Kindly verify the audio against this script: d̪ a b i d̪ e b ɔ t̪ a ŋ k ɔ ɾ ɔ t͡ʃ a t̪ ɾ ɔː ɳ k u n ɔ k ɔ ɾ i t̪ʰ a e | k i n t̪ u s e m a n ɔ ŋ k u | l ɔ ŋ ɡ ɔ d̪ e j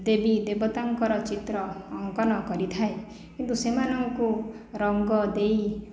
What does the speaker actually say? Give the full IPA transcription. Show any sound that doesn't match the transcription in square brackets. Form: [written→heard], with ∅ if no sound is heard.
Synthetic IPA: d̪ [a→e] b i d̪ e b ɔ t̪ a ŋ k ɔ ɾ ɔ t͡ʃ [a→i] t̪ ɾ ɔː [ɳ→ŋ] k [u→ɔ] n ɔ k ɔ ɾ i t̪ʰ a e | k i n t̪ u s e m a n ɔ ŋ k u | [l→ɾ] ɔ ŋ ɡ ɔ d̪ e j